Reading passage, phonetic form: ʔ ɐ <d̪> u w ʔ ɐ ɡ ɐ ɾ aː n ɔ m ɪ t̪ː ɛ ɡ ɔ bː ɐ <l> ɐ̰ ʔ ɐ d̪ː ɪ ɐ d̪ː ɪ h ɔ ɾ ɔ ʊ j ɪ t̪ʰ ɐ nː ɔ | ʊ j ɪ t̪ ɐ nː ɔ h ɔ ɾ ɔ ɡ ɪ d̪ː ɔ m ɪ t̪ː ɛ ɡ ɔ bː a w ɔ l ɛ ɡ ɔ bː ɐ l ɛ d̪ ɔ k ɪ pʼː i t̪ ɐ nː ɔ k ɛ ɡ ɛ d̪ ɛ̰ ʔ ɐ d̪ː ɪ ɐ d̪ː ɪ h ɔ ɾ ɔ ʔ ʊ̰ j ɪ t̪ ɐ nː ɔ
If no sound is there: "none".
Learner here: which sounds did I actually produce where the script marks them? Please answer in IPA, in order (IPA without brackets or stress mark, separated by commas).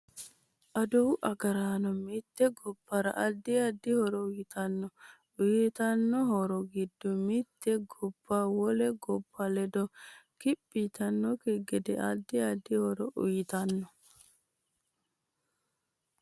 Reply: d̪, ɾ